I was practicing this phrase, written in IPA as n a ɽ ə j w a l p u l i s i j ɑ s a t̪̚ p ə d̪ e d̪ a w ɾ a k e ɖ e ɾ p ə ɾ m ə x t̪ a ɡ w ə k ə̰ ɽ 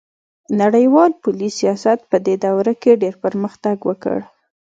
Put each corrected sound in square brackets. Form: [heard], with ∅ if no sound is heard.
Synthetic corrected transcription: n a ɽ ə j w [ɑ] l p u l i s i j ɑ s a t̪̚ p ə d̪ e d̪ a w ɾ a k e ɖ e ɾ p ə ɾ m ə x t̪ a ɡ w ə k ə̰ ɽ